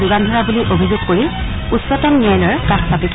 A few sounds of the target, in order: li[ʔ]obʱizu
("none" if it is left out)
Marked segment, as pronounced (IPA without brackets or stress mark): ʔ